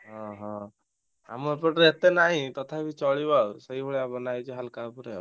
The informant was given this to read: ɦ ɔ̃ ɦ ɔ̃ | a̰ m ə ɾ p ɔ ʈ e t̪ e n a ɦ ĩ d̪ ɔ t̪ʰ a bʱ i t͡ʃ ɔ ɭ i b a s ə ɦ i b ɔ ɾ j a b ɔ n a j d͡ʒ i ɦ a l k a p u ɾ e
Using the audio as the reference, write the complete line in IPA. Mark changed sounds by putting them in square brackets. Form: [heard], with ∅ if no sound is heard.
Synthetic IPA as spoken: ɦ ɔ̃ ɦ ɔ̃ | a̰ m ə ɾ p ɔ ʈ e t̪ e n a ɦ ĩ [t̪] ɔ t̪ʰ a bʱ i t͡ʃ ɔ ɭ i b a s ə ɦ i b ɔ [ɭ] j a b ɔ n a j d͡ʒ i ɦ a l k a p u ɾ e

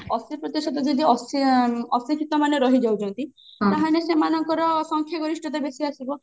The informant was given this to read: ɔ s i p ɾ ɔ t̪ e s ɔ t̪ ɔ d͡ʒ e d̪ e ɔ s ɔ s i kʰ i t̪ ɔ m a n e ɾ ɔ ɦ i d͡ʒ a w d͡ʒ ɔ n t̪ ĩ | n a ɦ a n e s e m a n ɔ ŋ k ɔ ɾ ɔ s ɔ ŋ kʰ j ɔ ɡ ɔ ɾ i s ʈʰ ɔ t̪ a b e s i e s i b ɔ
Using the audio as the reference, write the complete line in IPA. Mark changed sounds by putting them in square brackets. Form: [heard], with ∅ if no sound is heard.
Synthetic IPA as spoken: ɔ s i p ɾ ɔ t̪ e s ɔ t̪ ɔ d͡ʒ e d̪ [i] ɔ s ɔ s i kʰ i t̪ ɔ m a n e ɾ ɔ ɦ i d͡ʒ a w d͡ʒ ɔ n t̪ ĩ | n a ɦ a n e s e m a n ɔ ŋ k ɔ ɾ ɔ s ɔ ŋ kʰ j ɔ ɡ ɔ ɾ i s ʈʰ ɔ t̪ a b e s i [a] s i b ɔ

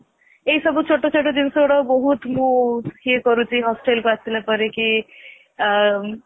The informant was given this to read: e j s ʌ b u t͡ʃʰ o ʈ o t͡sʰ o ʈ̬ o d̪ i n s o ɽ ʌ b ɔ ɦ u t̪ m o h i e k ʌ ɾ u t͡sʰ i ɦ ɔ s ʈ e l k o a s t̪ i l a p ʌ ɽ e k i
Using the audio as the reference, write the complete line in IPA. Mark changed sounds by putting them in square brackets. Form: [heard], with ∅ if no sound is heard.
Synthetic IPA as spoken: e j s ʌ b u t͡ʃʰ o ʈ o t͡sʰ o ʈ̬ o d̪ i n s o ɽ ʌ b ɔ ɦ u t̪ m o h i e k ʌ ɾ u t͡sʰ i ɦ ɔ s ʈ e l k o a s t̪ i l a p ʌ [ɾ] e k i

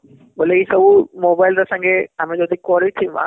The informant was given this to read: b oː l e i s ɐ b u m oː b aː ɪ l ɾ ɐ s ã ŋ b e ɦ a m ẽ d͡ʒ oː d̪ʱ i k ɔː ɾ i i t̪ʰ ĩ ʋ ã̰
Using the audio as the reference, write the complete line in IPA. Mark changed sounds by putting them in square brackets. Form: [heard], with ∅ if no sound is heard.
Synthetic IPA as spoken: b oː l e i s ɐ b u m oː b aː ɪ l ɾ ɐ s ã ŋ [ɡ] e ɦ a m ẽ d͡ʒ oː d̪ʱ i k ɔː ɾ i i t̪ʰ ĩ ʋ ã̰

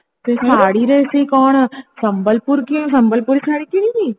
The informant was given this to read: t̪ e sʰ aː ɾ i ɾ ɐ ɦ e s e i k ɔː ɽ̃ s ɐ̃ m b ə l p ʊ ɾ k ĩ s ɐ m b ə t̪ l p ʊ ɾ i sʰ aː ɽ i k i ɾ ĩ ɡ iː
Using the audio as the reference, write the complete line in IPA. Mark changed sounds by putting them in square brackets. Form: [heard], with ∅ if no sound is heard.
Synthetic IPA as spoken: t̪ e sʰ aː [ɽ] i ɾ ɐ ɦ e s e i k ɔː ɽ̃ s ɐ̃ m b ə l p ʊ ɾ k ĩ s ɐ m b ə [∅] l p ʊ ɾ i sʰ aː ɽ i k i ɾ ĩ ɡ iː

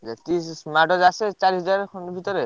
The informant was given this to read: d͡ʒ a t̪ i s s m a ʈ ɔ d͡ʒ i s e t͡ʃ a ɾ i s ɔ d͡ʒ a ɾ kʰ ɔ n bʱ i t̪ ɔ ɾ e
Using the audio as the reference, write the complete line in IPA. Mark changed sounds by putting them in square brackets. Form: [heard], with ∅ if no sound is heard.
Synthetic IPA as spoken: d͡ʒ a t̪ i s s m a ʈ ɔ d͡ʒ [a] s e t͡ʃ a ɾ i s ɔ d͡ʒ a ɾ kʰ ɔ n bʱ i t̪ ɔ ɾ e

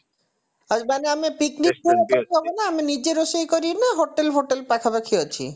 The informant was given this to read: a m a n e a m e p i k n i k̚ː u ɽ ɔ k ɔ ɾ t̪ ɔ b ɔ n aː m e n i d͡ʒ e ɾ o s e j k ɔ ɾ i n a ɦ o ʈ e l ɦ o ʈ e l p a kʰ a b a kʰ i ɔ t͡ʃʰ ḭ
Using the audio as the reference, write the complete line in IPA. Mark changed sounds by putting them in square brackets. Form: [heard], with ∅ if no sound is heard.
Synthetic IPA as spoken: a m a n e a m e p i k n i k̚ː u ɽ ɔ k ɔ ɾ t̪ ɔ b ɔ n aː m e n i d͡ʒ e ɾ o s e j k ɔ ɾ i n a ɦ o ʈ e l ɦ o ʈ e l p a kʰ a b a kʰ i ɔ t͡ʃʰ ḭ

